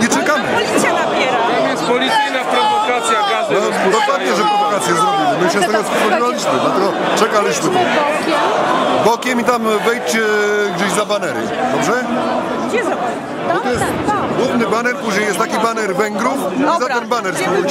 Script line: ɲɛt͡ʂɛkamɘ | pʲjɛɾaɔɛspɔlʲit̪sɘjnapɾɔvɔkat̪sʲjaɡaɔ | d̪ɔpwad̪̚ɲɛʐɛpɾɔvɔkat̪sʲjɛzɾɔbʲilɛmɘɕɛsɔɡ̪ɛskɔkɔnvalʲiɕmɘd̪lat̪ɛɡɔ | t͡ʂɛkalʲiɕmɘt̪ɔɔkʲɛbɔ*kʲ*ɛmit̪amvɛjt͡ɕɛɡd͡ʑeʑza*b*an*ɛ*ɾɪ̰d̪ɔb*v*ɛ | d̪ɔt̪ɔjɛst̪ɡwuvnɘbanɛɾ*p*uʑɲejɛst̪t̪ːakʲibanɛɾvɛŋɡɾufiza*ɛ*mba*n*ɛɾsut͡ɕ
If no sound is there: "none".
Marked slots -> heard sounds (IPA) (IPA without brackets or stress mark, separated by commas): kʲ, b, ɛ, ʐ, p, ɛ, n